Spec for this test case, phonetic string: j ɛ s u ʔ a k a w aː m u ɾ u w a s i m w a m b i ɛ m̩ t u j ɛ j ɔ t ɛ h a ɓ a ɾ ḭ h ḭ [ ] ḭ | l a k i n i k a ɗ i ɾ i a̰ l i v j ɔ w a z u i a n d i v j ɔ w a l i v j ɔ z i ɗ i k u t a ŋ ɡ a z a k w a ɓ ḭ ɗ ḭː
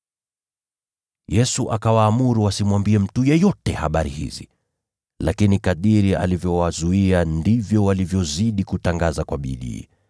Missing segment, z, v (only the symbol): z